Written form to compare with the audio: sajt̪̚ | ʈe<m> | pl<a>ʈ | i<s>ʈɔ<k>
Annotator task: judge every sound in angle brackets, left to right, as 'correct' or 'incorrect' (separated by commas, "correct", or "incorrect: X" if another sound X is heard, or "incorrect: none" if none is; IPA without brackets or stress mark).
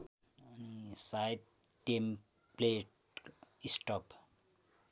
correct, incorrect: e, correct, incorrect: p